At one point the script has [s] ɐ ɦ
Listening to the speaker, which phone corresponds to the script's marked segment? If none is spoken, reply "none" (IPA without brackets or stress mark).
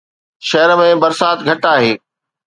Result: ʃ